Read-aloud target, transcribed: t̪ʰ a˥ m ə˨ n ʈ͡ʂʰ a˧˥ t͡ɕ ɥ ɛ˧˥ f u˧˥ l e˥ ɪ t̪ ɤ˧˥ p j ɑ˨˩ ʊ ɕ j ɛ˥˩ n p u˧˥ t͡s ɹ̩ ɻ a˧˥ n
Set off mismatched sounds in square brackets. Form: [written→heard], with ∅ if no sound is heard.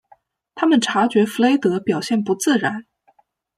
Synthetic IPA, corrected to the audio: t̪ʰ a˥ m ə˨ n ʈ͡ʂʰ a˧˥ t͡ɕ ɥ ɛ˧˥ f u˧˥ l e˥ ɪ t̪ ɤ˧˥ p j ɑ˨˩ ʊ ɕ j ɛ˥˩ n p u˧˥ t͡s ɹ̩ ɻ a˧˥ n